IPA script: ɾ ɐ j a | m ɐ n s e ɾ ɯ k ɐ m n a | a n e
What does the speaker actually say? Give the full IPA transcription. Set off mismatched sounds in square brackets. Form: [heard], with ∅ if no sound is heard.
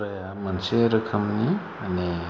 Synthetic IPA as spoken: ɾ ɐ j a | m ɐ n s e ɾ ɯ [kʰ] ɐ m n [i] | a n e